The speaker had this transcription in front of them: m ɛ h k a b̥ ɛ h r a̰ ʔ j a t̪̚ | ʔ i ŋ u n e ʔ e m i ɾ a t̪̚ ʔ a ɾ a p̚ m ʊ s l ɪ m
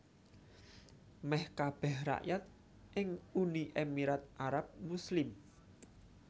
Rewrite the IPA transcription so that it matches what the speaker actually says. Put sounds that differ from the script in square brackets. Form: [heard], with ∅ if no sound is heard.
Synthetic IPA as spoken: m ɛ h k a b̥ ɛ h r a̰ ʔ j a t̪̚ | ʔ [ɪ] ŋ u n [i] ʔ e m i ɾ a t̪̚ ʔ a ɾ a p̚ m [u] s l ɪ m